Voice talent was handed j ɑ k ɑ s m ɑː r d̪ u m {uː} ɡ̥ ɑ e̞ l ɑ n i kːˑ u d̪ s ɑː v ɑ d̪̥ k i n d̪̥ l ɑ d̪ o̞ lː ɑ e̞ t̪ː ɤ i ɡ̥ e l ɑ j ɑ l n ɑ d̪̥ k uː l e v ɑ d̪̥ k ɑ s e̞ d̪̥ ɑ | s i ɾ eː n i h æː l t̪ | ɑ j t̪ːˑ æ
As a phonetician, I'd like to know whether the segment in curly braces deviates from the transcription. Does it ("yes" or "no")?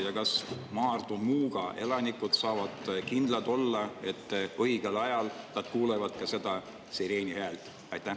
no